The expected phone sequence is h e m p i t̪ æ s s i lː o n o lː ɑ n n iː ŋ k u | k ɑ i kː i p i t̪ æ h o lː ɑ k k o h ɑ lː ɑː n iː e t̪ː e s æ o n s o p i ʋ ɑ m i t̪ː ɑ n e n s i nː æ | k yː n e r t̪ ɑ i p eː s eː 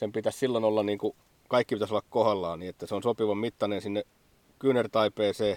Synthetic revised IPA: s e m p i t̪ æ s s i lː o n o lː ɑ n n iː ŋ k u | k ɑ i kː i p i t̪ æ s o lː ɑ k k o h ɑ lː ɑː n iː e t̪ː æ s e o n s o p i ʋ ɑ m i t̪ː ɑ n e n s i nː e | k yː n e r t̪ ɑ i p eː s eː